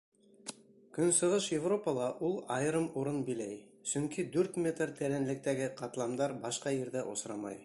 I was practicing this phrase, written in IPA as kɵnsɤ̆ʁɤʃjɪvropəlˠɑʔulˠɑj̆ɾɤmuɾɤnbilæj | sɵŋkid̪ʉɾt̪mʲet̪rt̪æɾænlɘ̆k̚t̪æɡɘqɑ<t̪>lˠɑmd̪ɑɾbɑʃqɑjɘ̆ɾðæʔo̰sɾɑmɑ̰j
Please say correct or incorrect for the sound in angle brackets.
correct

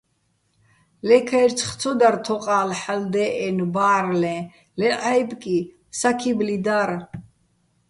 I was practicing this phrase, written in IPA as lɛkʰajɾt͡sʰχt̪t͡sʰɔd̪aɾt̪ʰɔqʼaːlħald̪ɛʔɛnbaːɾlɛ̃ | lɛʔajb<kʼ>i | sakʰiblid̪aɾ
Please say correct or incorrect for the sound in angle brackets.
correct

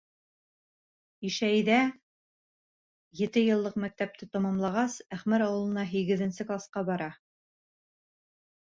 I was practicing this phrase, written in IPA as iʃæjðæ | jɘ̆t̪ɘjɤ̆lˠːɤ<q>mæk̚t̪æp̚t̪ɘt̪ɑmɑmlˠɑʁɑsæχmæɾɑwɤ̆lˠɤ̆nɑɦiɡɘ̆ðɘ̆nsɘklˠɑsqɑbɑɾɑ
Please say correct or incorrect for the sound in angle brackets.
correct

